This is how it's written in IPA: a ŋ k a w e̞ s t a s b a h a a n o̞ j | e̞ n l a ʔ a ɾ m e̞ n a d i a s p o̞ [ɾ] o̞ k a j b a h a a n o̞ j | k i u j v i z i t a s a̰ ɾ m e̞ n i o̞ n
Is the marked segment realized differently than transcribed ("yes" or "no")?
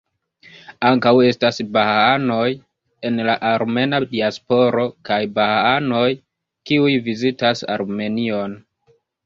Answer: no